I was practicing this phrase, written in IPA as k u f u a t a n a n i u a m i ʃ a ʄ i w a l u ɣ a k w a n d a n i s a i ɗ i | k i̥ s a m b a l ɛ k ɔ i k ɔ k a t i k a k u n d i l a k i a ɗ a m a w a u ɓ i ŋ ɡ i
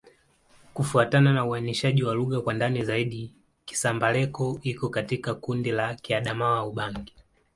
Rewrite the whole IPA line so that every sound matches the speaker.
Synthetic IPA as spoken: k u f u a t a n a n a u a n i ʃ a ʄ i w a l u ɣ a k w a n d a n i z a i ɗ i | k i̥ s a m b a l ɛ k ɔ i k ɔ k a t i k a k u n d i l a k i a ɗ a m a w a u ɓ a ŋ ɡ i